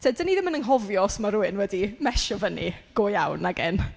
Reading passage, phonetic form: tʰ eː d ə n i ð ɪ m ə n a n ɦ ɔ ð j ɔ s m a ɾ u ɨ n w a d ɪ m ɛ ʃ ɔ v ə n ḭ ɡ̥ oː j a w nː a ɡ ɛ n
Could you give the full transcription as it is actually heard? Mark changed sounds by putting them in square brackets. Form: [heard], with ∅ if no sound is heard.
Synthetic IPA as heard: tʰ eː d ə n i ð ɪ m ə n [ə] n ɦ ɔ [v] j ɔ s m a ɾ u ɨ n w [ɛ] d [i] m ɛ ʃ ɔ v ə n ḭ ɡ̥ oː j a w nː a ɡ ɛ n